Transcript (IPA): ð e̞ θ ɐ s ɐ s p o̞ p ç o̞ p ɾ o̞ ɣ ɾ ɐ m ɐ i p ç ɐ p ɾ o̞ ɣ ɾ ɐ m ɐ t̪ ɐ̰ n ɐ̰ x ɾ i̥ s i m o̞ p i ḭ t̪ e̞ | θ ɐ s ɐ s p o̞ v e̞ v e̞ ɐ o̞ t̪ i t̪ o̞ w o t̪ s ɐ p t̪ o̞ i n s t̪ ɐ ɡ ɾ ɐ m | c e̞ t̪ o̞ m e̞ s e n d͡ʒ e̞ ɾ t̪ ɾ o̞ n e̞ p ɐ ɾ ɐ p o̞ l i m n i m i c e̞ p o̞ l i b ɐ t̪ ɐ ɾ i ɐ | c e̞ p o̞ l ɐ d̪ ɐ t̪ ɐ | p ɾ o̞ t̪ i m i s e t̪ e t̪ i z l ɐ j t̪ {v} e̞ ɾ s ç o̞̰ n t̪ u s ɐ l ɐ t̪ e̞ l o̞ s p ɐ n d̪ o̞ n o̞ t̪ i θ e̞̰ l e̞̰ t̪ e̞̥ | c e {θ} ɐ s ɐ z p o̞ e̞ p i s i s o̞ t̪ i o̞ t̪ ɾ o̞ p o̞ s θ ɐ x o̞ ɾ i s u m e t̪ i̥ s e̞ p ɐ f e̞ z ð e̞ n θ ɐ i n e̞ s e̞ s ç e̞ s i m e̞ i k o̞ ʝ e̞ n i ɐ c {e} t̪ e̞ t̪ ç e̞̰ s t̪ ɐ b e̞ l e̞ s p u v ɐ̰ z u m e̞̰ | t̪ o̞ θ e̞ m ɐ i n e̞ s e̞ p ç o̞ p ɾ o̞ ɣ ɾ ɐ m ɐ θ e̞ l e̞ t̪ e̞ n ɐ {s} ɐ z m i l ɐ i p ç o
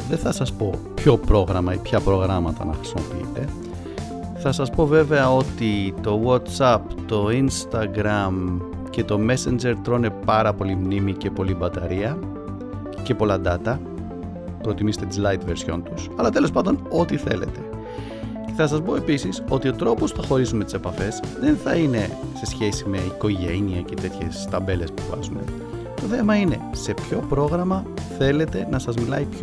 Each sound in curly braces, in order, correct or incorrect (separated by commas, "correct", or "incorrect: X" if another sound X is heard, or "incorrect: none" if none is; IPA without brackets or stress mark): correct, correct, correct, correct